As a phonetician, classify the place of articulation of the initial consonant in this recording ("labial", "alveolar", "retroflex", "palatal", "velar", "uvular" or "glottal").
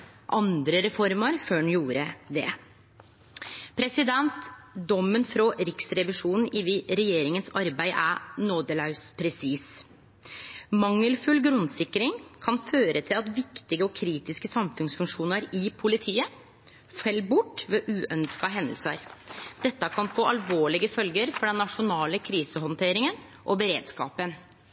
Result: glottal